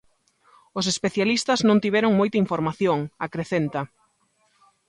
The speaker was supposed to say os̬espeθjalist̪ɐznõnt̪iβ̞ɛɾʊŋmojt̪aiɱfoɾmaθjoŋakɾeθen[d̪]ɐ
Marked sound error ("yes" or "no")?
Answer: yes